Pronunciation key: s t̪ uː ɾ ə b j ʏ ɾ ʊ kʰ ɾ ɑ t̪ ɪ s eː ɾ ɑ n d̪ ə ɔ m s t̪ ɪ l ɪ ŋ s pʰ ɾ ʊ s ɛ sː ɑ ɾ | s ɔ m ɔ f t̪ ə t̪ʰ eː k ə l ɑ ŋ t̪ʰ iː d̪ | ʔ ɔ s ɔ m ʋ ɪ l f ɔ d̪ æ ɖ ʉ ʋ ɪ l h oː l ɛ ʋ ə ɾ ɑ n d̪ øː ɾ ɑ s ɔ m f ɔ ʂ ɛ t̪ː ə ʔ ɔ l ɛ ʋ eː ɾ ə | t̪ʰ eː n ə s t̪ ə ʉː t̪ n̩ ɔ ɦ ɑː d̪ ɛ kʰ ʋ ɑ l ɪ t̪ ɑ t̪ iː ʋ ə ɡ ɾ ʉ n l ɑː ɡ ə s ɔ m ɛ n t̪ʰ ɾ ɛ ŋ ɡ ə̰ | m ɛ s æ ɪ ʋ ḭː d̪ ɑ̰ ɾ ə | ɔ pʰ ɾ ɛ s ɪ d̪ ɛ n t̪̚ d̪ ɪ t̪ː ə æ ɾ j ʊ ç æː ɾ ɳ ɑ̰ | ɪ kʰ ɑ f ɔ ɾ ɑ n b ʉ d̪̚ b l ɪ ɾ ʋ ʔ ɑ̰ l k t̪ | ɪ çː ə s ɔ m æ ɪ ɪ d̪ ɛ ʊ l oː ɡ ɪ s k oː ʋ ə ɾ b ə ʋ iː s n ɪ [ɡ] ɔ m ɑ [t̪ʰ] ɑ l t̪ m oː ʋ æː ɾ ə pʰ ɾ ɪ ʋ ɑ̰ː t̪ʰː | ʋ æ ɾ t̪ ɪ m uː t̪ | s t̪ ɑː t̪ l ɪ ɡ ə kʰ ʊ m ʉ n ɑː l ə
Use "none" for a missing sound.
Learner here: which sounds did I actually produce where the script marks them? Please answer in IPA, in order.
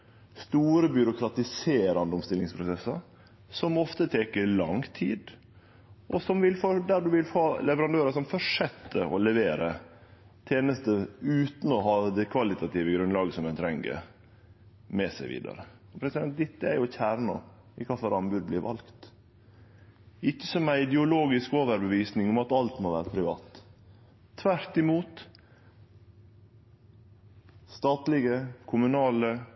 ŋ, t̪

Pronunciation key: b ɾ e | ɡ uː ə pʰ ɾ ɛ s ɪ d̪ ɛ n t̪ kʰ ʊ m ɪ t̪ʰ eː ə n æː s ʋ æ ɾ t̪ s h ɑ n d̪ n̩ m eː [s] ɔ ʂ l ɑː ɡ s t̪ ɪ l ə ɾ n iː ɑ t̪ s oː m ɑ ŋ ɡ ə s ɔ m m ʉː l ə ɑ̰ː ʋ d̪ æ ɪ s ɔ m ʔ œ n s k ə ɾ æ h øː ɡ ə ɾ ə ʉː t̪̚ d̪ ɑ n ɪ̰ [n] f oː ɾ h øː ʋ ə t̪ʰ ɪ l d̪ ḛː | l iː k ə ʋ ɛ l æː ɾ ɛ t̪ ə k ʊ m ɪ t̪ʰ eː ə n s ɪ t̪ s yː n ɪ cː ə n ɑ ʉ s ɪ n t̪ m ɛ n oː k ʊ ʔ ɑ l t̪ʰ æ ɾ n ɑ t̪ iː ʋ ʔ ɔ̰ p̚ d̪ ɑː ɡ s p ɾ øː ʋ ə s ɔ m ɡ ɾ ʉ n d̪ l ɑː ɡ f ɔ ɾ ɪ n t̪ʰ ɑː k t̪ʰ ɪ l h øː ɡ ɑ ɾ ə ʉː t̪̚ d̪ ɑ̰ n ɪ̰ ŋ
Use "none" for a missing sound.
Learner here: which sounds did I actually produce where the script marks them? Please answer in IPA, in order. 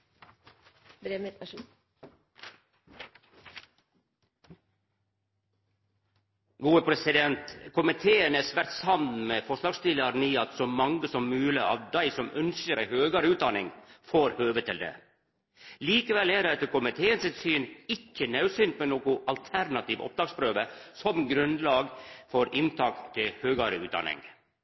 f, ŋ

